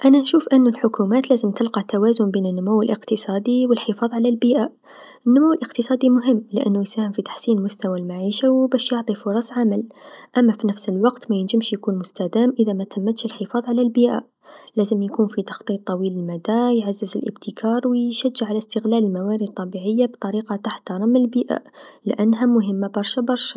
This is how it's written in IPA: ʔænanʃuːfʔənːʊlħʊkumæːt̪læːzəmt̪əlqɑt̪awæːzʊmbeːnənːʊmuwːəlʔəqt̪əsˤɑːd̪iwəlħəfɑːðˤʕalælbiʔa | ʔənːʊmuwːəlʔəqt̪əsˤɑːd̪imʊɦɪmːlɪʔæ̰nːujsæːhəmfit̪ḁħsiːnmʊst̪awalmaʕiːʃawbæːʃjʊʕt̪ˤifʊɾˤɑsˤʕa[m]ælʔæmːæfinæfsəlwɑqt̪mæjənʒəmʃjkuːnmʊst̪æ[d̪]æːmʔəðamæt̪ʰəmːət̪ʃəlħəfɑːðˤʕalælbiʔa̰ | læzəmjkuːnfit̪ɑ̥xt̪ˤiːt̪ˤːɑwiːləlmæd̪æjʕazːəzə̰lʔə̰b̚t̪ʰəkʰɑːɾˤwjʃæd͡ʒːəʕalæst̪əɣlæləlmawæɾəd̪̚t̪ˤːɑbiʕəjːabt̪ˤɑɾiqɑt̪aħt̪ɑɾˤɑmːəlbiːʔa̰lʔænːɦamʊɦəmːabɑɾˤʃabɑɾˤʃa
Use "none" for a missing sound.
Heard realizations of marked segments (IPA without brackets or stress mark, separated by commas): m, d̪